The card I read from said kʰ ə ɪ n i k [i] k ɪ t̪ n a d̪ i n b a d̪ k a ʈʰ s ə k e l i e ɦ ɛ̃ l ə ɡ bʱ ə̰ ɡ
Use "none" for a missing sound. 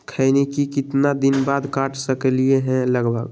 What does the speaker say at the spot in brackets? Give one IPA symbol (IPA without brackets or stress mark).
i